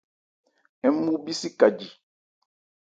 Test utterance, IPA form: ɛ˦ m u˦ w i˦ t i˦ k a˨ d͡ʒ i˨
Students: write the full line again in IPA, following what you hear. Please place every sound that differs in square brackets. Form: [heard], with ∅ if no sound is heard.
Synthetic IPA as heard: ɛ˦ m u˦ [b] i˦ [s] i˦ k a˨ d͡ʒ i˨